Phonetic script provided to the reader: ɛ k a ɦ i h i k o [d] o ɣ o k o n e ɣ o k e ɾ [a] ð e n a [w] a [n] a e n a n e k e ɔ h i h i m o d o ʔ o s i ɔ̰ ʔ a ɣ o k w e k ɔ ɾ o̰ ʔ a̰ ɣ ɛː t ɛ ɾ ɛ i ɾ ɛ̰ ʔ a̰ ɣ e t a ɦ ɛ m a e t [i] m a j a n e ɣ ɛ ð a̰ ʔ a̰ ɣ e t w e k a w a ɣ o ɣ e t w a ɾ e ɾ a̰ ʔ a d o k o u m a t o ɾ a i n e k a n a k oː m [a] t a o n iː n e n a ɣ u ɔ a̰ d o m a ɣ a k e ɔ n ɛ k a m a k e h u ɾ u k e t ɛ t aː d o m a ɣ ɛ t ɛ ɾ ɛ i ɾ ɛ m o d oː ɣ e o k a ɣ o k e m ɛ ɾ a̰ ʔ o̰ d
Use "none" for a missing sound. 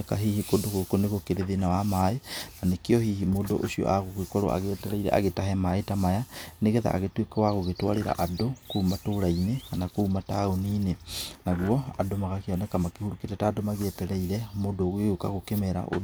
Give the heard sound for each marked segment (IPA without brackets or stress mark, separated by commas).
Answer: d, e, w, m, a, a